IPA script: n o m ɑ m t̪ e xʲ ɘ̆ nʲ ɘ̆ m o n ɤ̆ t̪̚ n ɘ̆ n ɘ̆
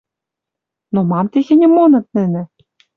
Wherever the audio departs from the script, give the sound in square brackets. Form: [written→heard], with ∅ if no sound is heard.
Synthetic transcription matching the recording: n o m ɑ m t̪ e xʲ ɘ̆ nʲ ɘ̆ m o n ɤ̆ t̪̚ n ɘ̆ n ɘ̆